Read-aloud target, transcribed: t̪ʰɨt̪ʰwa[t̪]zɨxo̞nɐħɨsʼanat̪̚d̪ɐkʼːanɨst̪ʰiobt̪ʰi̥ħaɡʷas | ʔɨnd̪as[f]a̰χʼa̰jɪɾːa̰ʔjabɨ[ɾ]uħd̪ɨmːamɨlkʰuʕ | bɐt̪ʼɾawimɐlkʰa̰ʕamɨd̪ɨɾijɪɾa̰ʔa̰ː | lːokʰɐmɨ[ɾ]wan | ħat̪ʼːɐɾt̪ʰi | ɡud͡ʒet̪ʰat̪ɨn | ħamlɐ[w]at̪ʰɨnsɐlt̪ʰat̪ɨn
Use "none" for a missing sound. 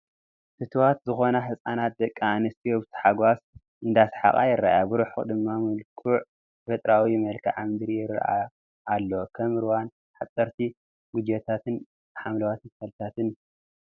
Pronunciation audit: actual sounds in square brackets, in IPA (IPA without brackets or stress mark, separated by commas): t̪, ħ, ɾ, ɾ, w